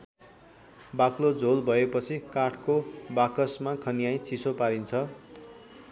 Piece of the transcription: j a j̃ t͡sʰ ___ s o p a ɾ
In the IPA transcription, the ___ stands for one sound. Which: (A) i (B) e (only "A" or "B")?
A